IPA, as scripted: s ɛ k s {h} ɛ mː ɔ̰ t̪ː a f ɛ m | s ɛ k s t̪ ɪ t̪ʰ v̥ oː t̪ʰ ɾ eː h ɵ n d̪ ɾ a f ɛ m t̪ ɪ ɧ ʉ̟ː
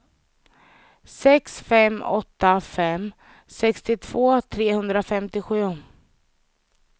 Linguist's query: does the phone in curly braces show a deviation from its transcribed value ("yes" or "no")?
yes